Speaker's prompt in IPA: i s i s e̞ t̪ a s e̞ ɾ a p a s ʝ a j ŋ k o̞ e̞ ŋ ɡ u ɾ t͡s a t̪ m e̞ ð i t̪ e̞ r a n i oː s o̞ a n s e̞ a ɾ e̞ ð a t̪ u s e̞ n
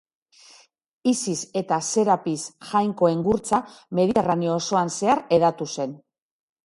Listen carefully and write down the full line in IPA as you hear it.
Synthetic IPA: i s i s e̞ t̪ a s e̞ ɾ a p i s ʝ a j ŋ k o̞ e̞ ŋ ɡ u ɾ t͡s a m e̞ ð i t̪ e̞ r a n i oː s o̞ a n s e̞ a ɾ e̞ ð a t̪ u s e̞ n